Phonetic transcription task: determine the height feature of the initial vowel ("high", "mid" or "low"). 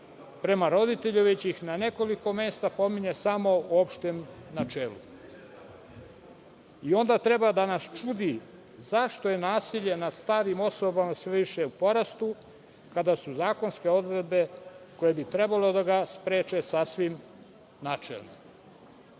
mid